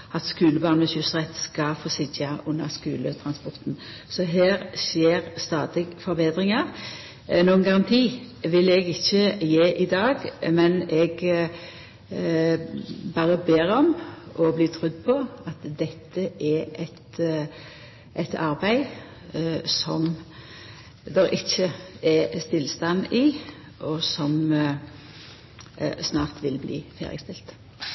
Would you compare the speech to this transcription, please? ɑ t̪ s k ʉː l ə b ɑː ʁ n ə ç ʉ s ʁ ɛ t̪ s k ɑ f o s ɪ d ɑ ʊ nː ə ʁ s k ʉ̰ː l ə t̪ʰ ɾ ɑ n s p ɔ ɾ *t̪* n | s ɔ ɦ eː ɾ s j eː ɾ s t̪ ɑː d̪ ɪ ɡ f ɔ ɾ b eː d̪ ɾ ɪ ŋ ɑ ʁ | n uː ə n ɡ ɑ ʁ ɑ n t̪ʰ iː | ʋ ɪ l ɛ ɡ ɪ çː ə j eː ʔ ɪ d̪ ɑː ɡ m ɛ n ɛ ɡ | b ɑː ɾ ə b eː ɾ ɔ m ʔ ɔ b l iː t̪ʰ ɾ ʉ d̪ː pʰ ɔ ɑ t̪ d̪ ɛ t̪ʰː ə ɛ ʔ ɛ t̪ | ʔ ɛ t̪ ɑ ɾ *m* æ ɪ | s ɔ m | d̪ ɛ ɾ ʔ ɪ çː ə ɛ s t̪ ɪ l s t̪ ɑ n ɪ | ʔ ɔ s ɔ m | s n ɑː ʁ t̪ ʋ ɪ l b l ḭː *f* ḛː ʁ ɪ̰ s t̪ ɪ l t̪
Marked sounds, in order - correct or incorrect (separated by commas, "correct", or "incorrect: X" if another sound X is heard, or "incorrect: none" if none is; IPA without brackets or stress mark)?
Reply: correct, incorrect: b, correct